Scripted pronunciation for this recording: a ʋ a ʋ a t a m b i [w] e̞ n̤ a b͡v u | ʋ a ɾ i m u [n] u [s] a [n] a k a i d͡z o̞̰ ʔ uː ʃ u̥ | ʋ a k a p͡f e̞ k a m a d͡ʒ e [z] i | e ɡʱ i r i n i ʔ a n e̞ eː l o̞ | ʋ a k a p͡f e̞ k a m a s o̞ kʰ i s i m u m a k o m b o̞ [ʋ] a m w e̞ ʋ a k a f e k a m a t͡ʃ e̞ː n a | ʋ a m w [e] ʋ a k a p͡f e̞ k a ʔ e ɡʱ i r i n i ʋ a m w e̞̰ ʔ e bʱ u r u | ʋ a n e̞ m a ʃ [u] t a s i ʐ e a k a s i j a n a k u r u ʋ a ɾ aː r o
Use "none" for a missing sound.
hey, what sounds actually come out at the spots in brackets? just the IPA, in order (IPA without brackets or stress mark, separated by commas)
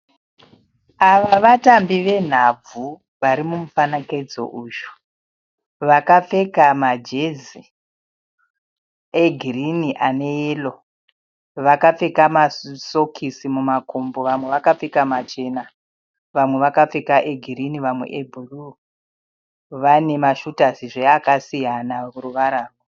ʋ, m, f, n, z, ʋ, e, u